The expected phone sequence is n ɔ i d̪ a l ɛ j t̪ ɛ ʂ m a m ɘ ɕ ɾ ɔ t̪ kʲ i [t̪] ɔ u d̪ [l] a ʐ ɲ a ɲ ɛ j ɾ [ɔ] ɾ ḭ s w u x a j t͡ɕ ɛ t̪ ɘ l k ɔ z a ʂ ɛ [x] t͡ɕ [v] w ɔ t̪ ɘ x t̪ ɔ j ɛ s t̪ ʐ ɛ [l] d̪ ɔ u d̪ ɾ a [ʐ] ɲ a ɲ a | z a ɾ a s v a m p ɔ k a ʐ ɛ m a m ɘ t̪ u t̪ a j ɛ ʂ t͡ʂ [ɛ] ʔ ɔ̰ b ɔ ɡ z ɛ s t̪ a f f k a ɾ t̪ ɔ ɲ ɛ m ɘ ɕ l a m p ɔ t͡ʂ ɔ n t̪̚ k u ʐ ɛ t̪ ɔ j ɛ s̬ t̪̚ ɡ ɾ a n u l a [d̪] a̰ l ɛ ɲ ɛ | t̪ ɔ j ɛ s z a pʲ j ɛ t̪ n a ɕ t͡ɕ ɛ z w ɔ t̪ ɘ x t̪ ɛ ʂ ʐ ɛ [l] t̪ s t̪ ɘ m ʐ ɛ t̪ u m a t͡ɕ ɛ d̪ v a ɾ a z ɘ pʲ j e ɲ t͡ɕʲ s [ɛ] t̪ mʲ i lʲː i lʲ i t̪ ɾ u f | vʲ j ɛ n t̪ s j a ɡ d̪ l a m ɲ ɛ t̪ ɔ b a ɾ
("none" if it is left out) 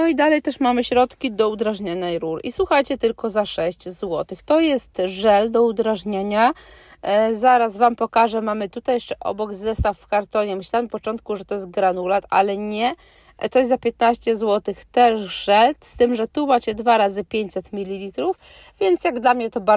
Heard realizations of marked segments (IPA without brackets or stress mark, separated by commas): d̪, ɾ, u, ɕ, z, l, ʐ, ɛ, t̪, l, ɛ